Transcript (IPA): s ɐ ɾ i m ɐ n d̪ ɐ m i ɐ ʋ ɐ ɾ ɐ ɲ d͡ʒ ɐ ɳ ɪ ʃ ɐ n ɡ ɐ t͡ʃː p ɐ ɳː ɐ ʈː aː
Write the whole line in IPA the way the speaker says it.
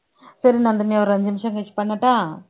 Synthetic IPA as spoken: s ɐ ɾ i n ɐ n d̪ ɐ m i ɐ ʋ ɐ ɾ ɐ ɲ d͡ʒ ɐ m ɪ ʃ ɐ ŋ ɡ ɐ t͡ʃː p ɐ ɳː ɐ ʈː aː